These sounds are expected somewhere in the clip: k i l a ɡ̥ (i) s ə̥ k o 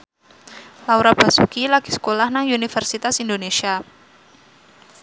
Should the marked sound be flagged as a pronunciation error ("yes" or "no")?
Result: no